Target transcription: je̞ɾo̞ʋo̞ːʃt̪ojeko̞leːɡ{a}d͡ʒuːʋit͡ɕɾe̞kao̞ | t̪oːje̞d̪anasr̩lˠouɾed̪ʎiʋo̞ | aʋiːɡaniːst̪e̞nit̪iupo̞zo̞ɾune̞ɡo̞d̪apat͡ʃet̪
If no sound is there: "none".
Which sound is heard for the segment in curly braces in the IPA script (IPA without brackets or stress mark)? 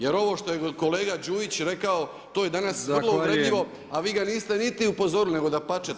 a